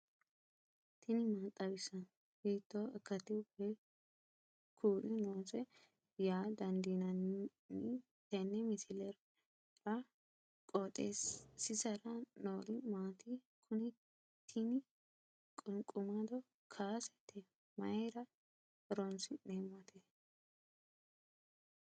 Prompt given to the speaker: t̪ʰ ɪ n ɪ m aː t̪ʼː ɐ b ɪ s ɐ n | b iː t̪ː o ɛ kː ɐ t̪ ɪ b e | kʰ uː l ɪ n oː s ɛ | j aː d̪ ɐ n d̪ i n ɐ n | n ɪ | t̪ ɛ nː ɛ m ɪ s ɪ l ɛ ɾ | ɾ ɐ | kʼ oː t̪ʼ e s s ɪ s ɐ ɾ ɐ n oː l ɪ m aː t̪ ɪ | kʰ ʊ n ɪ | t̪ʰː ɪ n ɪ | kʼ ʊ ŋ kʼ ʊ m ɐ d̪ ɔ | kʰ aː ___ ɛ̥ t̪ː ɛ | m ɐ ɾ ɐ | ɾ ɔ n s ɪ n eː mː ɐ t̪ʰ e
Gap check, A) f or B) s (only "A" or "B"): B